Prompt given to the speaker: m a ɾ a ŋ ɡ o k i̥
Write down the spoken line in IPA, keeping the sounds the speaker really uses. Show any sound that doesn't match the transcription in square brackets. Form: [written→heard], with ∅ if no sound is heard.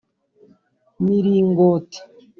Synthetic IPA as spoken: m [a→i] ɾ [a→i] ŋ ɡ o [k→t] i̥